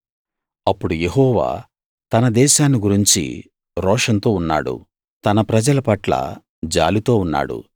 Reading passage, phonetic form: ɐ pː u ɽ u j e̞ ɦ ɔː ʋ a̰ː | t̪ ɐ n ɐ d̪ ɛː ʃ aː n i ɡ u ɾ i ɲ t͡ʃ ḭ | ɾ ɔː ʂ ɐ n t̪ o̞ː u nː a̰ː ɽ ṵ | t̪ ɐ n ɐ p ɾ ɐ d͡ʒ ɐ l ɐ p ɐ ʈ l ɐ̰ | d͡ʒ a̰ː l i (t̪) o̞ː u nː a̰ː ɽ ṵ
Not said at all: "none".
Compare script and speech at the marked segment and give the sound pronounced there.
t̪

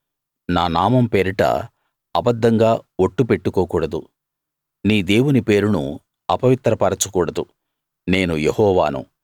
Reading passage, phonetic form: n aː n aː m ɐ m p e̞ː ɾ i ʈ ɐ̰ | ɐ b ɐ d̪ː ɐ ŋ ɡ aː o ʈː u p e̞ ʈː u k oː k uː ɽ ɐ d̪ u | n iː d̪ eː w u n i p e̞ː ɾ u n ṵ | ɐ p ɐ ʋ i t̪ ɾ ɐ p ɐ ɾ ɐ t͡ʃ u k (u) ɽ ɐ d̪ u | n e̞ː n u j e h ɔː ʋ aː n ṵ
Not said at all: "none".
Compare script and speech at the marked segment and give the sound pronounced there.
uː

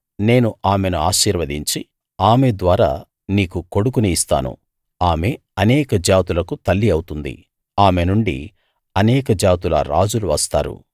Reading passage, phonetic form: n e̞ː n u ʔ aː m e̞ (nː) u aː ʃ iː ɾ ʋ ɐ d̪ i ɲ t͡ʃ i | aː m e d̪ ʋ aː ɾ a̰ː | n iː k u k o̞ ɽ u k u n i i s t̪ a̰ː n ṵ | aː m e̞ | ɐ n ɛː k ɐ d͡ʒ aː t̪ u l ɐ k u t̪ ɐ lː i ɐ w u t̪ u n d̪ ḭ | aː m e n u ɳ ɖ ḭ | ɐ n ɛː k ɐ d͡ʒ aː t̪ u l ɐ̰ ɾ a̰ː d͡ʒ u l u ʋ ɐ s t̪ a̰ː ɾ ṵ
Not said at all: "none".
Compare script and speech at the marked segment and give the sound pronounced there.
n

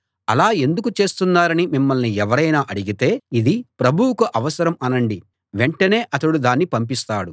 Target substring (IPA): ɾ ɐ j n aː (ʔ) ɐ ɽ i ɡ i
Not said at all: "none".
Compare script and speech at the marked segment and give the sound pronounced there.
ʔ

